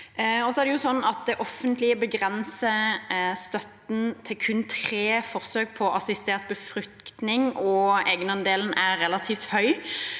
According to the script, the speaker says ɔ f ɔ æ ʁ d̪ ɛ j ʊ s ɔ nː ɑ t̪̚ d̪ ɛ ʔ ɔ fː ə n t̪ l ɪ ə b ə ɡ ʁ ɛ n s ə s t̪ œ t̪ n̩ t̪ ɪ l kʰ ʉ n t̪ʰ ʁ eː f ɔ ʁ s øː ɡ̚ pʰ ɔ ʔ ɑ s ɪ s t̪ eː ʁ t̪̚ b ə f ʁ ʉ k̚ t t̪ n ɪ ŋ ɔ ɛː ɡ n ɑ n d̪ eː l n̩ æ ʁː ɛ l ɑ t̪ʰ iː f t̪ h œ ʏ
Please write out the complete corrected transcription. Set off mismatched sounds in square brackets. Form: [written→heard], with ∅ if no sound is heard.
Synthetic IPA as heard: ɔ [f→s] ɔ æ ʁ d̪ ɛ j ʊ s ɔ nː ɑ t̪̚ d̪ ɛ ʔ ɔ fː ə n t̪ l ɪ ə b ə ɡ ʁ ɛ n s ə s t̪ œ t̪ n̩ [t̪→t̪ʰ] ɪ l kʰ ʉ n t̪ʰ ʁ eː f ɔ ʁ s øː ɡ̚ pʰ ɔ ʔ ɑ s ɪ s t̪ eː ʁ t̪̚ b ə f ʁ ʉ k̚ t t̪ n ɪ ŋ ɔ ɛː ɡ n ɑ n d̪ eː l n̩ æ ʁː ɛ l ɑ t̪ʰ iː f t̪ h œ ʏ